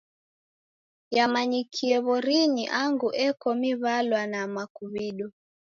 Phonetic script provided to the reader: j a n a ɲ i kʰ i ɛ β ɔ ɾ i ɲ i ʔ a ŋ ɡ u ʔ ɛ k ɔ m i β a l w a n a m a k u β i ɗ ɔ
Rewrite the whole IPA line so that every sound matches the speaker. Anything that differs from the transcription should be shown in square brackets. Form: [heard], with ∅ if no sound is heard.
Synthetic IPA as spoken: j a [m] a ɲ i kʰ i ɛ β ɔ ɾ i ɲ i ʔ a ŋ ɡ u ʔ ɛ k ɔ m i β a l w a n a m a k u β i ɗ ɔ